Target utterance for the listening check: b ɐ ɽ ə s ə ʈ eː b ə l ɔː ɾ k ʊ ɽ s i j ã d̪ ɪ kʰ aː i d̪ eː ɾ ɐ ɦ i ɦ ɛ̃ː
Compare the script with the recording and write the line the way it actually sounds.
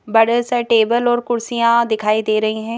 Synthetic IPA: b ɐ ɽ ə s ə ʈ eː b ə l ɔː ɾ k ʊ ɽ s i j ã d̪ ɪ kʰ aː i d̪ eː ɾ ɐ ɦ i ɦ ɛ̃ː